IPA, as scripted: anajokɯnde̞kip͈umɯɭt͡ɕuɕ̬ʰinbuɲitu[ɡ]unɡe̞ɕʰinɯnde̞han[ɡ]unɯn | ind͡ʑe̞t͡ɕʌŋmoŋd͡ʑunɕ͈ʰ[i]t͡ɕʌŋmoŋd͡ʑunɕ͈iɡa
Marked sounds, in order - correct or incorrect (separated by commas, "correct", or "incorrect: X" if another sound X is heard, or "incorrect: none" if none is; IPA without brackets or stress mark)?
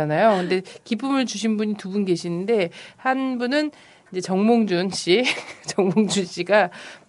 incorrect: b, incorrect: b, correct